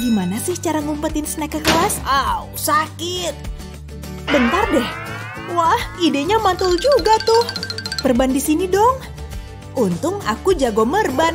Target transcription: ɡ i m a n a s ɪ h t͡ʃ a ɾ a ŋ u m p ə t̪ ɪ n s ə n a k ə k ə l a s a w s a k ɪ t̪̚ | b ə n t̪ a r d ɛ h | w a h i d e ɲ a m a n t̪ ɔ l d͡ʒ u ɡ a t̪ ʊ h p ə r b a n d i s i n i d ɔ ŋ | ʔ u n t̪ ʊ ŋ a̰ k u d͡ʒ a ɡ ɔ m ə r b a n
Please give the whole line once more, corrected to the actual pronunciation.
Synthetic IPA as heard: ɡ i m a n a s ɪ h t͡ʃ a ɾ a ŋ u m p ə t̪ ɪ n s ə n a k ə k ə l a s a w s a k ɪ t̪̚ | b ə n t̪ a r d ɛ h | w a h i d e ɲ a m a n t̪ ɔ l d͡ʒ u ɡ a t̪ ʊ h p ə r b a n d i s i n i d ɔ ŋ | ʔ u n t̪ ʊ ŋ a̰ k u d͡ʒ a ɡ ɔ m ə r b a n